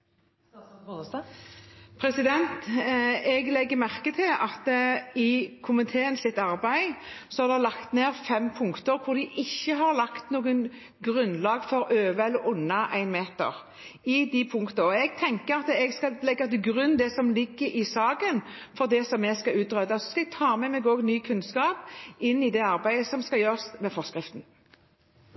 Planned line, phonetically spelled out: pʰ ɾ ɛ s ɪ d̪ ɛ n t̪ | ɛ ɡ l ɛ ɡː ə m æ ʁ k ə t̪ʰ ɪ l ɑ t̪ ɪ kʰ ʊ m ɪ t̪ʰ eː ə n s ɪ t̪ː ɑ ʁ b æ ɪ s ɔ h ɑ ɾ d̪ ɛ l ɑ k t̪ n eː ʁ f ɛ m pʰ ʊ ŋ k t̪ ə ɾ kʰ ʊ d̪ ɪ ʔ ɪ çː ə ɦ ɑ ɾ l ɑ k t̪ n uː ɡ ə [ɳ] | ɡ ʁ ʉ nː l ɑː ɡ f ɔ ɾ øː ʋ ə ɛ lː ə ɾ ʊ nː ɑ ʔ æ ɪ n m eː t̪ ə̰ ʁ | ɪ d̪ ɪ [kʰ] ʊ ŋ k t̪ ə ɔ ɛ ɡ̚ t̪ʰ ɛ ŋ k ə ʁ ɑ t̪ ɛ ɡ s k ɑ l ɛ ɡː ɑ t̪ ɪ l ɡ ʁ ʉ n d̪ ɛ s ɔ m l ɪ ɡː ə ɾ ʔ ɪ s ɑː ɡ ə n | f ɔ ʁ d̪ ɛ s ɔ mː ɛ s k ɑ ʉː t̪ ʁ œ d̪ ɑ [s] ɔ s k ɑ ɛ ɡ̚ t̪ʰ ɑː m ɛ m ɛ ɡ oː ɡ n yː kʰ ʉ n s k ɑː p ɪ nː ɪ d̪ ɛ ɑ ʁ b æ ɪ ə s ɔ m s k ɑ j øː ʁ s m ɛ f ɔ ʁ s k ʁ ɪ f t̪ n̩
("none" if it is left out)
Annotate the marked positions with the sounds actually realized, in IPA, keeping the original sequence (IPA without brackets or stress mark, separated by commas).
n, pʰ, s